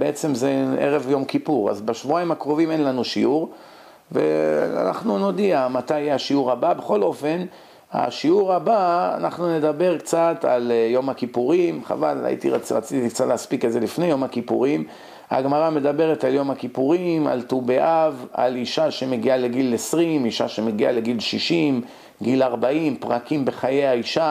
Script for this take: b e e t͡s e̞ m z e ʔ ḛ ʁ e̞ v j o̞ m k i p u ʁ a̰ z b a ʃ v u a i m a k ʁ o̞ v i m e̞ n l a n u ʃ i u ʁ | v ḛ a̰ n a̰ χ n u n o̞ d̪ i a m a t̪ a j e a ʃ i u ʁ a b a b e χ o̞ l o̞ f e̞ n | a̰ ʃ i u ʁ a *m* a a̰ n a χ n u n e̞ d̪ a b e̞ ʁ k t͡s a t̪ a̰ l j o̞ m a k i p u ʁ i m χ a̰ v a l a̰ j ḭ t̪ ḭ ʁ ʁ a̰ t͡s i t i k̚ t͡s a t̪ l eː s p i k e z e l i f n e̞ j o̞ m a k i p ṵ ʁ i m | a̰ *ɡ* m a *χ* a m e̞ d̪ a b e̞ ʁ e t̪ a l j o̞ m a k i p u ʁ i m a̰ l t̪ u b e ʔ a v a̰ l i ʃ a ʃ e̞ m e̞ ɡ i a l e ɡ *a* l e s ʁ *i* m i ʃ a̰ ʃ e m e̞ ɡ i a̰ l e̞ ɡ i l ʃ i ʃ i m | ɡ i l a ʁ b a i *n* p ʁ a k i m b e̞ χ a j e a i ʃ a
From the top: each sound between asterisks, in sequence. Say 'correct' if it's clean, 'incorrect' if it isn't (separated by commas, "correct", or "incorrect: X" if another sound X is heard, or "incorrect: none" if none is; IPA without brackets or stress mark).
incorrect: b, correct, incorrect: ʁ, incorrect: i, correct, incorrect: m